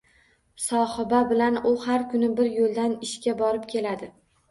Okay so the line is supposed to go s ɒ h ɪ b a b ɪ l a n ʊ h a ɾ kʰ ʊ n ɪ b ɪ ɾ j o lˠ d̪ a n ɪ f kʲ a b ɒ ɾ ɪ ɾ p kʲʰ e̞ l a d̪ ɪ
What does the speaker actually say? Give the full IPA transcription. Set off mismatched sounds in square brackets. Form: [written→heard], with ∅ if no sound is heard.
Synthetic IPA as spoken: s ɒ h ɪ b a b ɪ l a n ʊ h a ɾ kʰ ʊ n ɪ b ɪ ɾ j o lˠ d̪ a n ɪ [f→ʃ] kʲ a b ɒ ɾ ɪ [ɾ→∅] p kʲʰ e̞ l a d̪ ɪ